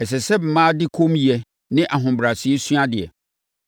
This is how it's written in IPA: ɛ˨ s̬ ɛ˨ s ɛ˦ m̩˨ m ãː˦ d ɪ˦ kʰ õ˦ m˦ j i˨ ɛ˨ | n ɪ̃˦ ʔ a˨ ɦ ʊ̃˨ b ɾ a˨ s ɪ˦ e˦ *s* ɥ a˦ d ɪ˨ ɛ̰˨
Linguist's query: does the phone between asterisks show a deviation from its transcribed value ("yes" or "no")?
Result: no